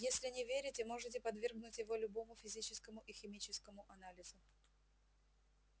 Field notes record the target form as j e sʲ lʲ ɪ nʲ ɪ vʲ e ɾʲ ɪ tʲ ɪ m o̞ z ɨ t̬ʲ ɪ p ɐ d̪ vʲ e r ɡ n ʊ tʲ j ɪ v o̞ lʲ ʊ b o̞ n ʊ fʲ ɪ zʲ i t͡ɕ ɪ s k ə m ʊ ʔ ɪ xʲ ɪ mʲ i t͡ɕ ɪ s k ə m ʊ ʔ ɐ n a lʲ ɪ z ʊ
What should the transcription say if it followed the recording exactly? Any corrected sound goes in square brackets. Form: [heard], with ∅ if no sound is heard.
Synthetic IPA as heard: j e sʲ lʲ ɪ nʲ ɪ vʲ e ɾʲ ɪ tʲ ɪ m o̞ [ʐ] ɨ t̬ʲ ɪ p ɐ d̪ vʲ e r ɡ n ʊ tʲ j ɪ v o̞ lʲ ʊ b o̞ [m] ʊ fʲ ɪ zʲ i t͡ɕ ɪ s k ə m ʊ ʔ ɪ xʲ ɪ mʲ i t͡ɕ ɪ s k ə m ʊ ʔ ɐ n a lʲ ɪ z ʊ